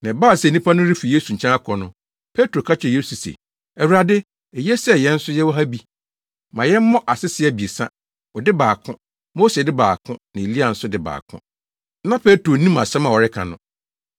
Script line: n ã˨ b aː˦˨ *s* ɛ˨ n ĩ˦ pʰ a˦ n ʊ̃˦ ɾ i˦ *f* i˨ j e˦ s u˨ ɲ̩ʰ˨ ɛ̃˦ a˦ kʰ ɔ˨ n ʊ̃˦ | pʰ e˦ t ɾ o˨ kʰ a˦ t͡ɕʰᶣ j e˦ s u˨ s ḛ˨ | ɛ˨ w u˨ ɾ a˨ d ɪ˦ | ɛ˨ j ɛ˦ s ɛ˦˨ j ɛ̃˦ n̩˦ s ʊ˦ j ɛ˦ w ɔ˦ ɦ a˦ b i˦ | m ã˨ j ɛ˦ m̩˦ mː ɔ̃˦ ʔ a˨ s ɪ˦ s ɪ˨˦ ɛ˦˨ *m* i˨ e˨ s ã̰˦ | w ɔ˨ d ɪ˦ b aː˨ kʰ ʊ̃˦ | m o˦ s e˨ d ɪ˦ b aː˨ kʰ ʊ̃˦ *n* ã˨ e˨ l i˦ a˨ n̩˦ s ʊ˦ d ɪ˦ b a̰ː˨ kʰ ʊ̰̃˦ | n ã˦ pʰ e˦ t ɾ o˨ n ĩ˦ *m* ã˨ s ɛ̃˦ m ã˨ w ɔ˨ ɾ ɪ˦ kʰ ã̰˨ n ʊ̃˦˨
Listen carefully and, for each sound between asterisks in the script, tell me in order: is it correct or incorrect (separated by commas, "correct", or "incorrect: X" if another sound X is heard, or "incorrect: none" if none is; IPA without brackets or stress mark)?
correct, correct, incorrect: b, correct, correct